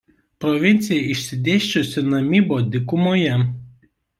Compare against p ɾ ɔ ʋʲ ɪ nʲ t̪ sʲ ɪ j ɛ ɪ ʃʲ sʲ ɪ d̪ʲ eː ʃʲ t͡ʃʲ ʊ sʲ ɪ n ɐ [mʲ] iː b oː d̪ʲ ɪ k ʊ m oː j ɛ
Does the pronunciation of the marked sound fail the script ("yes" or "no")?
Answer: no